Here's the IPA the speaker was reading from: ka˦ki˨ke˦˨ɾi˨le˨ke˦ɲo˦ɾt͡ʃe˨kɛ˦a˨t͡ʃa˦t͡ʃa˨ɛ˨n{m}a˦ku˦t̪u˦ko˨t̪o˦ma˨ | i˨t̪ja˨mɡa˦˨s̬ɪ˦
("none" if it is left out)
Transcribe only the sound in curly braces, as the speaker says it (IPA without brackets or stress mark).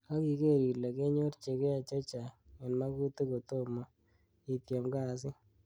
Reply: m